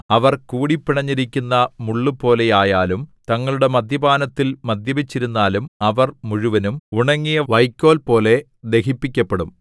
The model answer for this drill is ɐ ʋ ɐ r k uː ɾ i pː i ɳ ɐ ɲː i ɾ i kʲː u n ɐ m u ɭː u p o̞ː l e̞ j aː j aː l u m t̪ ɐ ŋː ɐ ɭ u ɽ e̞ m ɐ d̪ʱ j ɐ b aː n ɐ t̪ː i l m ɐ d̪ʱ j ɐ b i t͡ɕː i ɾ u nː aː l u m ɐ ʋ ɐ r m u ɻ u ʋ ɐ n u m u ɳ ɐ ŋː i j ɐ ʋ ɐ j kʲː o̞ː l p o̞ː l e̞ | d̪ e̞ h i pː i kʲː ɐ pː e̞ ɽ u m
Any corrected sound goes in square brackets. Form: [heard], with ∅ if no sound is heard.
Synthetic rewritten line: ɐ ʋ ɐ r k uː [ɽ] i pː i ɳ ɐ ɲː i ɾ i kʲː u [nː] ɐ m u ɭː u p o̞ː l e̞ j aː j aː l u m t̪ ɐ ŋː ɐ ɭ u ɽ e̞ m ɐ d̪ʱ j ɐ b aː n ɐ t̪ː i l m ɐ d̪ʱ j ɐ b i t͡ɕː i ɾ u nː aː l u m ɐ ʋ ɐ r m u ɻ u ʋ ɐ n u m u ɳ ɐ ŋː i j ɐ ʋ ɐ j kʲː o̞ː l p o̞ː l e̞ | d̪ e̞ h i pː i kʲː ɐ pː e̞ ɽ u m